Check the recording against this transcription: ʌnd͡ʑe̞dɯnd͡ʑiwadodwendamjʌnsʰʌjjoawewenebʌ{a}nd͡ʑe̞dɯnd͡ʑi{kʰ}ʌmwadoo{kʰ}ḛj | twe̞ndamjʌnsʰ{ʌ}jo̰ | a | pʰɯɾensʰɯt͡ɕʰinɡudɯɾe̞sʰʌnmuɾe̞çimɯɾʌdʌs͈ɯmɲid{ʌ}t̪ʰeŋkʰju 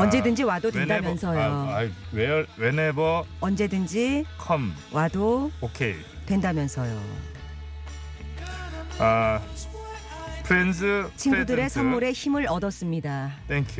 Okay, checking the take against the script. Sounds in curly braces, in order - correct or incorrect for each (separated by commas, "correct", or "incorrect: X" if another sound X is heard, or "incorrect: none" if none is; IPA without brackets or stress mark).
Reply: incorrect: ʌ, correct, correct, correct, incorrect: a